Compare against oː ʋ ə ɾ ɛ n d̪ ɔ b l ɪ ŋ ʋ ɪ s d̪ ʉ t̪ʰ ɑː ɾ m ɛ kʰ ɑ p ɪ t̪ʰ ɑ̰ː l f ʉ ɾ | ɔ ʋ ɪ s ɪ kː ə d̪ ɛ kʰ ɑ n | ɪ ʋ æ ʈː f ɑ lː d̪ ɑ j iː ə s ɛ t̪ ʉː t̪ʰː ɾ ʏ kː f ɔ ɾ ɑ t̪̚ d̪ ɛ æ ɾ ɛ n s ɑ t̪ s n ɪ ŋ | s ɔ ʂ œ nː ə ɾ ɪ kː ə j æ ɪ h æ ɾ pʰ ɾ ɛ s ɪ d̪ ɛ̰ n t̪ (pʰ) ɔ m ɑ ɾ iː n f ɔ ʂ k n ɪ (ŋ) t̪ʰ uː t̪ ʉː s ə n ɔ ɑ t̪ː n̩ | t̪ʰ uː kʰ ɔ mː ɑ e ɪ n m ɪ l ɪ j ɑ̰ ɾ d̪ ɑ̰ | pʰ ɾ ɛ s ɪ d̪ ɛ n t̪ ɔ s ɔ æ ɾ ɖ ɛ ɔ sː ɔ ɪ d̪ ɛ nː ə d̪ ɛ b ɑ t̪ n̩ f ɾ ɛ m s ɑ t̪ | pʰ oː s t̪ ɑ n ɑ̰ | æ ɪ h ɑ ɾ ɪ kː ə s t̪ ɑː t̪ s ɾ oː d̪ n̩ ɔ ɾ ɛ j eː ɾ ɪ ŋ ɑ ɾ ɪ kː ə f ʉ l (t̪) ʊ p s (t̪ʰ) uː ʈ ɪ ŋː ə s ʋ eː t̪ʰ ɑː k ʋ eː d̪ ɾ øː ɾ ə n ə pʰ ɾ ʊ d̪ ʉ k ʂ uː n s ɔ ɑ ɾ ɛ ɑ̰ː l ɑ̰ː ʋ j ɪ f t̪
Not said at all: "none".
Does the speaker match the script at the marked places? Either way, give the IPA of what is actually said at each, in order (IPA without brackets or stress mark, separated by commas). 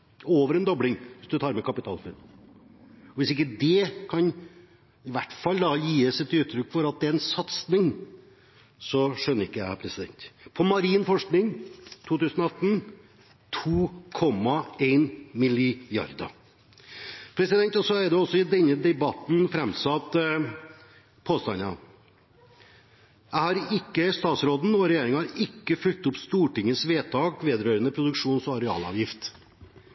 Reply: pʰ, ŋ, t̪, t̪